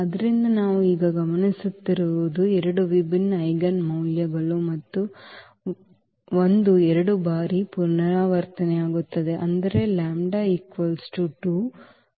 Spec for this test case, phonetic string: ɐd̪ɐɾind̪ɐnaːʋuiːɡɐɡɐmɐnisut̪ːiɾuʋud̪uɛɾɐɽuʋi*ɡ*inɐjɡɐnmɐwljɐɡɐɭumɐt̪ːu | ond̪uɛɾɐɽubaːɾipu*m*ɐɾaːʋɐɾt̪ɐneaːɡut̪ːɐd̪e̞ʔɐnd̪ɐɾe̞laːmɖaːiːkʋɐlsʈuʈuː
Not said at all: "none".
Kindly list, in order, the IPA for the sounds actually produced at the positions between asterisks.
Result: b, n

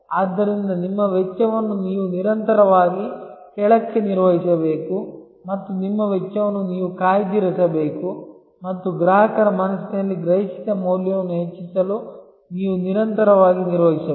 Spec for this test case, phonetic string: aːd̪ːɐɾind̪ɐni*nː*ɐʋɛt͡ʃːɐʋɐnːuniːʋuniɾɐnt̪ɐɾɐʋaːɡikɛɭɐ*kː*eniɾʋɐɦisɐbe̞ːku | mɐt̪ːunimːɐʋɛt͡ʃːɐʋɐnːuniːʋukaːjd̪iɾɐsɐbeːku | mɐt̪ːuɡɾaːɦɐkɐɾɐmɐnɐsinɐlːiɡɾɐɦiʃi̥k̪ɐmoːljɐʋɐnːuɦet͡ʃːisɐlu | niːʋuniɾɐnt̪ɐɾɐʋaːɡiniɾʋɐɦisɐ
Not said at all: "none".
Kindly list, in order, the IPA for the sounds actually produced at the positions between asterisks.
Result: mː, kː

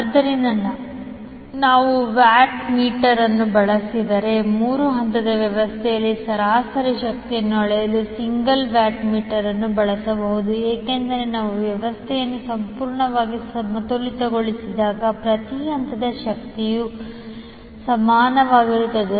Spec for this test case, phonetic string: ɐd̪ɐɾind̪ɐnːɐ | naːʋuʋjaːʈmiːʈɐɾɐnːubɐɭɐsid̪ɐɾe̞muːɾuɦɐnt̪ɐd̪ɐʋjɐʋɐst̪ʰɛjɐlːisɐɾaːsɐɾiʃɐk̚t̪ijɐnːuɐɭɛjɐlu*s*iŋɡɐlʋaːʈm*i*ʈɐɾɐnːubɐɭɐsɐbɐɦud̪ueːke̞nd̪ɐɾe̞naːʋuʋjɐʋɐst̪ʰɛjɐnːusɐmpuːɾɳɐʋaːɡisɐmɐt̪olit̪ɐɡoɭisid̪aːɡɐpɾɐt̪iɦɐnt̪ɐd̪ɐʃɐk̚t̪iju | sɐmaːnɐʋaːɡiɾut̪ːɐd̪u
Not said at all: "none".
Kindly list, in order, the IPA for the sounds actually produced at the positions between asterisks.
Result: s, iː

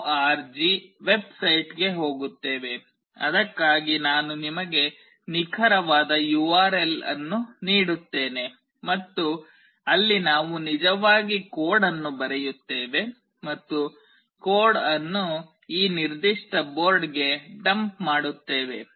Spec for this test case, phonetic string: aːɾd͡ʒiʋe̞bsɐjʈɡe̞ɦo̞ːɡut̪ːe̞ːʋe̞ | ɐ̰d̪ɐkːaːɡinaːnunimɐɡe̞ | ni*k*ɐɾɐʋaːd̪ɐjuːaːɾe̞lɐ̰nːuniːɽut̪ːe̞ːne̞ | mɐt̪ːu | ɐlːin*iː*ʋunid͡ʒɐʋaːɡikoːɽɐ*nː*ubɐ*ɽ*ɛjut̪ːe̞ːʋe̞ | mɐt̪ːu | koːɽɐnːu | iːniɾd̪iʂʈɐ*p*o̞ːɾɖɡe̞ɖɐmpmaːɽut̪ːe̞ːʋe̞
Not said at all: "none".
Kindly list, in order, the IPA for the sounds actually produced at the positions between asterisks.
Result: kʰ, aː, nː, ɾ, b

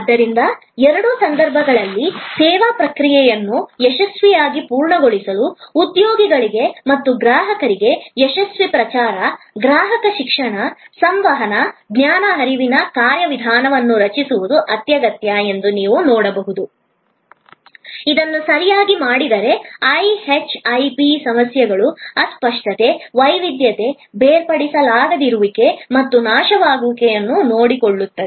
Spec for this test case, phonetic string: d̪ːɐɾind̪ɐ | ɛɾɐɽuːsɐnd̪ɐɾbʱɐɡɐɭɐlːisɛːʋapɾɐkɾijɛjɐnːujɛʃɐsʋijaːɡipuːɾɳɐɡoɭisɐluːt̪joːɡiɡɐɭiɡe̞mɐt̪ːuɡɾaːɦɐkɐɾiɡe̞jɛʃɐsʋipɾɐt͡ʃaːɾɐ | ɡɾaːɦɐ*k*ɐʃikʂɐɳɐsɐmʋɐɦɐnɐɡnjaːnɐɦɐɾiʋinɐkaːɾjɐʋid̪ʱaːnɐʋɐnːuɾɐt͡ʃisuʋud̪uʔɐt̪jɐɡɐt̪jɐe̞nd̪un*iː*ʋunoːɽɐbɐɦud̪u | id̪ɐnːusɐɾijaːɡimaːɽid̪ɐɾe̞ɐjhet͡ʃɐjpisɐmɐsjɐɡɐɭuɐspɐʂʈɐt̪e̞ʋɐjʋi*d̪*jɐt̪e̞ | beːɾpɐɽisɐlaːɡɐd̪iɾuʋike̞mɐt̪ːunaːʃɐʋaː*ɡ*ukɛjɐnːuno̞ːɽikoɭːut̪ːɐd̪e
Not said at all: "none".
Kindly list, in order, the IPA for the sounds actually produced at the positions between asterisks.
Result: k, iː, d̪, ɡ

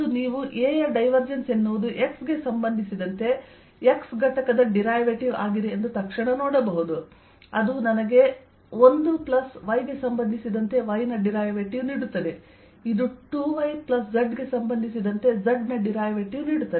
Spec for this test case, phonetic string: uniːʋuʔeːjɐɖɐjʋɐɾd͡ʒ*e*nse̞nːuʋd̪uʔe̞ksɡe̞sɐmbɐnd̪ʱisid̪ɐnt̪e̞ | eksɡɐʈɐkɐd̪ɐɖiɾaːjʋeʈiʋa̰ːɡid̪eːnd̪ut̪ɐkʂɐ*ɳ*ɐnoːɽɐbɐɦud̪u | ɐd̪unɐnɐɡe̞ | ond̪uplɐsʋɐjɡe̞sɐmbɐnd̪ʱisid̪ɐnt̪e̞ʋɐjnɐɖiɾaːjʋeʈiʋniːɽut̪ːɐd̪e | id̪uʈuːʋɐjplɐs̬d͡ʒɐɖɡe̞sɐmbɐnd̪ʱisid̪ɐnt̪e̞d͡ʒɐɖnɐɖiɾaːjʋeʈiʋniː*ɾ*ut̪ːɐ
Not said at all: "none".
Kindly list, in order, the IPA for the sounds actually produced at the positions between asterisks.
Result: e, ɳ, ɽ

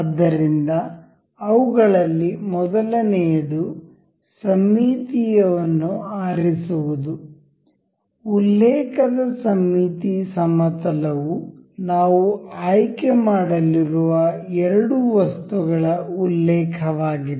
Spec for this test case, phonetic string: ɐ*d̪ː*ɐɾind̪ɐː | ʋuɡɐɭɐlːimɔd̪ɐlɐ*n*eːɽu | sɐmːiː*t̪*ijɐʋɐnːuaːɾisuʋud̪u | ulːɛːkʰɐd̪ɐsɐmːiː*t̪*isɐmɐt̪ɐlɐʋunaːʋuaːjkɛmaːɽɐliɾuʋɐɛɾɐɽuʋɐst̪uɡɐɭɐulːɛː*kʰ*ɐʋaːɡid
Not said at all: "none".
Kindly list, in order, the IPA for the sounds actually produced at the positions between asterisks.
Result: d̪ː, n, t̪, t̪, kʰ

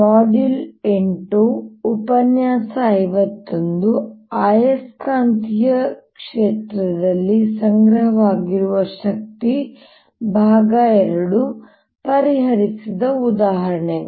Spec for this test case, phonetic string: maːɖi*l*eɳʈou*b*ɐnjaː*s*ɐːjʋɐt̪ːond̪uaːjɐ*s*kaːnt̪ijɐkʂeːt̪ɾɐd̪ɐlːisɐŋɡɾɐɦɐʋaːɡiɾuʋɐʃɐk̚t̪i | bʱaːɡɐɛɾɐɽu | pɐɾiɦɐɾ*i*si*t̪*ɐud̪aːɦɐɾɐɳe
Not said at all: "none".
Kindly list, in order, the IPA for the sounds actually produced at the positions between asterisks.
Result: l, p, s, s, i, d̪

